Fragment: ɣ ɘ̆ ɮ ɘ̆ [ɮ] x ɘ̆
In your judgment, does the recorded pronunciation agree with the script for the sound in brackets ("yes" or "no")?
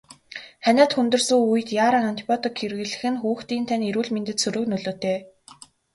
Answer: no